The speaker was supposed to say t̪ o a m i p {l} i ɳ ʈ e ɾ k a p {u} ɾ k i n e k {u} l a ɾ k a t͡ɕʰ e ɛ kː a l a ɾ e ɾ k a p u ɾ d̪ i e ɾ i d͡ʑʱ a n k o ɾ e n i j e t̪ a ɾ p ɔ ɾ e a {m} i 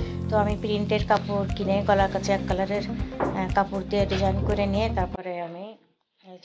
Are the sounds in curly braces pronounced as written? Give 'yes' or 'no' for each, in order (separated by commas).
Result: no, yes, no, yes